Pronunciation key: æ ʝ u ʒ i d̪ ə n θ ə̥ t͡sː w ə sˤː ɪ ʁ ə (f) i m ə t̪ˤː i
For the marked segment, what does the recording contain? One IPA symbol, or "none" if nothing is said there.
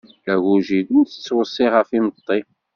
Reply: f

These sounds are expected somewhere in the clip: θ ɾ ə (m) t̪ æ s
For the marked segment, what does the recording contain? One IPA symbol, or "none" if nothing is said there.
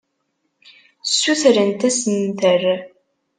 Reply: n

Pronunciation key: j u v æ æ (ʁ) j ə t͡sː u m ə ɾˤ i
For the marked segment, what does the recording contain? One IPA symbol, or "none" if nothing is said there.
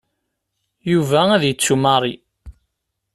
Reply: ð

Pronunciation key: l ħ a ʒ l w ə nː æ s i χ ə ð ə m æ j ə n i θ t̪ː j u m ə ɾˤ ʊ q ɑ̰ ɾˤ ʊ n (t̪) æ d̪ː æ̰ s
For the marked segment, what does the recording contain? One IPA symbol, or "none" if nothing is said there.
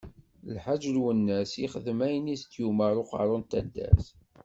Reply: t̪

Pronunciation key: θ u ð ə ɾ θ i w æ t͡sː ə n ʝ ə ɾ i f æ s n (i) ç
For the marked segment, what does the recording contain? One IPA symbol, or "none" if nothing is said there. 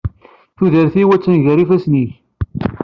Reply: i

